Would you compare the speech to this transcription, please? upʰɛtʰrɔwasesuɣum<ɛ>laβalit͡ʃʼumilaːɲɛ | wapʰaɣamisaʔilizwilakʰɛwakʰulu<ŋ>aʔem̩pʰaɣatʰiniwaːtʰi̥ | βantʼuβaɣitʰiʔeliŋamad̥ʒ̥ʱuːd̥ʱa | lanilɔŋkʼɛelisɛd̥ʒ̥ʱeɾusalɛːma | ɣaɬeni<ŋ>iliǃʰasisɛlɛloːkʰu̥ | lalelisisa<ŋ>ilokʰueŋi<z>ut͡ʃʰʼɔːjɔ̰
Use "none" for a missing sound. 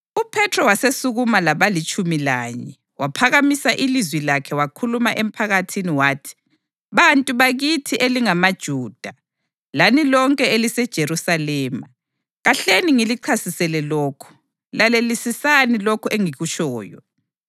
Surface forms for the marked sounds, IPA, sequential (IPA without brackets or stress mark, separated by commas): a, m, ŋ, n, ɣ